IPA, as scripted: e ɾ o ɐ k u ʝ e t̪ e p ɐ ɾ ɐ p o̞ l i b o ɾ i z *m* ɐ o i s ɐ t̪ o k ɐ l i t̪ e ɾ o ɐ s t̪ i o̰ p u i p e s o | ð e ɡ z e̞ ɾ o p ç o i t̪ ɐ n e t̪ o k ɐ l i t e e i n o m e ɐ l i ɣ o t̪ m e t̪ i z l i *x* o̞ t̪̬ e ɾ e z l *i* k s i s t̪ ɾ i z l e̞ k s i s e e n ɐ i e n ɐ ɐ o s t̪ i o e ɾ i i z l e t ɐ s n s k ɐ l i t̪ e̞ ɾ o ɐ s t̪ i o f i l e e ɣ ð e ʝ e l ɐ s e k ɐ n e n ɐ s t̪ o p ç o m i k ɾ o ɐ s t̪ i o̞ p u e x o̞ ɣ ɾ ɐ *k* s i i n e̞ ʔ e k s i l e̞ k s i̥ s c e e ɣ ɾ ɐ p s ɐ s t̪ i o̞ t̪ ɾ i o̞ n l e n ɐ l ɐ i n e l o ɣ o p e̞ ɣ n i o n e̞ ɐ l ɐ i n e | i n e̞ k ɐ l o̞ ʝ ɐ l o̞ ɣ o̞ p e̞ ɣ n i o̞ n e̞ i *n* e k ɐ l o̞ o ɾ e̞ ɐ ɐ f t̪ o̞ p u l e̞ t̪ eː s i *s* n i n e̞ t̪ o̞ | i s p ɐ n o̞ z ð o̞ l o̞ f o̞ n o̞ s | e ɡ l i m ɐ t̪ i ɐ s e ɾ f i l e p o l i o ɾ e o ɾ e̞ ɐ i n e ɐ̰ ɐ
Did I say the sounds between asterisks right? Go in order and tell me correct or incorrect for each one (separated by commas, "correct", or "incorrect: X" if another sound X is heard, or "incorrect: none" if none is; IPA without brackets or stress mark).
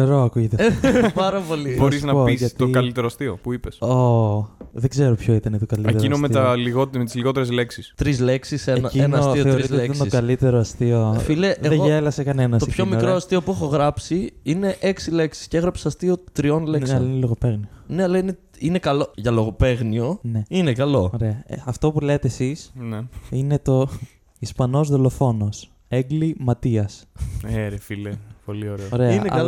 incorrect: n, incorrect: ɣ, incorrect: e, incorrect: p, correct, correct